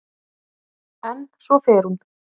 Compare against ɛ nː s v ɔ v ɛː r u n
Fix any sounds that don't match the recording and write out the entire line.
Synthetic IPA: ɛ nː s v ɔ f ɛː ɾ u n